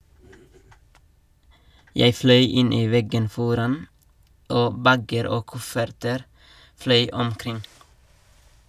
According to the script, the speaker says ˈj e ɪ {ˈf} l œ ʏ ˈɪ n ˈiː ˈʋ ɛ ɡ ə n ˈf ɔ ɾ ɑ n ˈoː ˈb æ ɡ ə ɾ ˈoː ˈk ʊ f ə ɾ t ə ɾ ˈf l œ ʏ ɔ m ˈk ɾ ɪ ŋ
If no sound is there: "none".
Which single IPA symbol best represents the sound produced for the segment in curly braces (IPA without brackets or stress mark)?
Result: f